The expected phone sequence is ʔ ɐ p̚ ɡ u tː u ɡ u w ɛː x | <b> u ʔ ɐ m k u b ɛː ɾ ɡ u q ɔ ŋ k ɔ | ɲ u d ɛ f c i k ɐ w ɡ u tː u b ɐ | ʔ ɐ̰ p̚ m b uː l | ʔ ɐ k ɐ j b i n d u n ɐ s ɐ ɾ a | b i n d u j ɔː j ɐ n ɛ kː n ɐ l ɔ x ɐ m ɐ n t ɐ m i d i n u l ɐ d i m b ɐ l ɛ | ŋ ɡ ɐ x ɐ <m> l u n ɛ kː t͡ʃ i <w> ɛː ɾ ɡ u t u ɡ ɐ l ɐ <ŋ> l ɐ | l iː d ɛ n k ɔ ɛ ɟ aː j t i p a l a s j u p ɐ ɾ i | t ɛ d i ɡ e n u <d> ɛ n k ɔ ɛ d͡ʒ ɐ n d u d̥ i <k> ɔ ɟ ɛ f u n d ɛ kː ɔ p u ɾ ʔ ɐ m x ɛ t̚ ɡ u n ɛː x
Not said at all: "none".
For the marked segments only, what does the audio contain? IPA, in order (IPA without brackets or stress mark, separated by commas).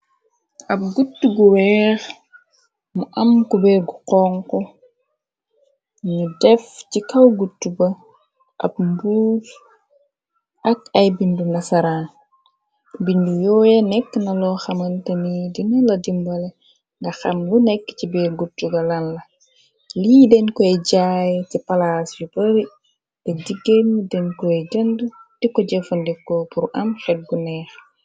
m, m, b, n, d, k